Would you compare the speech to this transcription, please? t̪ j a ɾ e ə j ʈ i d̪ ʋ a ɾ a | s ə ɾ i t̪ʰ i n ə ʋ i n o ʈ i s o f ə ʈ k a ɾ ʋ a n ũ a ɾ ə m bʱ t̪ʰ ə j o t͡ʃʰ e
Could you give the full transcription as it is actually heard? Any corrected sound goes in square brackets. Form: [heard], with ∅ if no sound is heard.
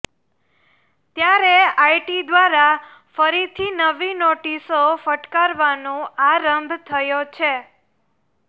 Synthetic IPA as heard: t̪ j a ɾ e [a] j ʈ i d̪ ʋ a ɾ a | [f] ə ɾ i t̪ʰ i n ə ʋ i n o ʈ i s o f ə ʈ k a ɾ ʋ a n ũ a ɾ ə m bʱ t̪ʰ ə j o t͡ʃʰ e